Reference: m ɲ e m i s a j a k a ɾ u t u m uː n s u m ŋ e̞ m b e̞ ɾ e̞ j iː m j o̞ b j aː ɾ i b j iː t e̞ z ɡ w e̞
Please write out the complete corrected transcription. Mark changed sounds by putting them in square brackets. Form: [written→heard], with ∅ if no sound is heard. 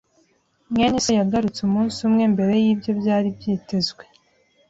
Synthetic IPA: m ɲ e [m→ɲ] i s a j a [k→ɡ] a ɾ u [t→t͡s] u m uː n s u m ŋ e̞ m b e̞ ɾ e̞ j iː [m→b] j o̞ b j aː ɾ i b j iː t e̞ z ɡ w e̞